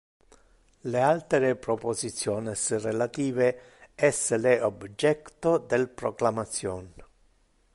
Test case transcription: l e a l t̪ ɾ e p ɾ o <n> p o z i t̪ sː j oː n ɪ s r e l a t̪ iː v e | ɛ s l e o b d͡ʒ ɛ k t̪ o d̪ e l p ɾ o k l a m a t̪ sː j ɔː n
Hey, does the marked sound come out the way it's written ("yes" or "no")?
no